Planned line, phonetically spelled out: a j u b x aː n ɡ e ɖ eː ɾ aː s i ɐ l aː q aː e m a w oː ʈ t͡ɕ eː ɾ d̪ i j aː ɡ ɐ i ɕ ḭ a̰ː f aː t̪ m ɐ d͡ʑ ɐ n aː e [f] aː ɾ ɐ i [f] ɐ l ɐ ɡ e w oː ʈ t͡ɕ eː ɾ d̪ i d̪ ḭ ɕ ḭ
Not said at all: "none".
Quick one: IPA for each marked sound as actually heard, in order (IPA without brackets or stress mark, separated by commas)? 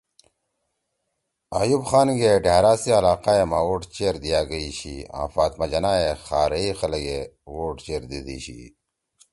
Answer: x, x